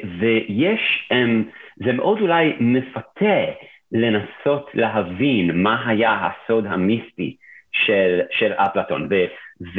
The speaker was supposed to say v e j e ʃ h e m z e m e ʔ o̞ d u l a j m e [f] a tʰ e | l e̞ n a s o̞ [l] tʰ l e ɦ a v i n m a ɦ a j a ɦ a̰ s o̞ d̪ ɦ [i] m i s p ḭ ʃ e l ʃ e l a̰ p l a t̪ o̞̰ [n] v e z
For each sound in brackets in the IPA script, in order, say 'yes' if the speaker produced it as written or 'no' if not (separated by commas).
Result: yes, no, no, yes